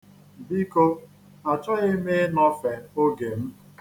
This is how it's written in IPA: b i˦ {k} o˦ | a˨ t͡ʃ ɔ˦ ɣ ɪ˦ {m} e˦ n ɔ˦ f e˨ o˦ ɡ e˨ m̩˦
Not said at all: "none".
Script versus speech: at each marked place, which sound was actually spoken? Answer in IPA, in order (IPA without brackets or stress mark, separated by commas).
k, m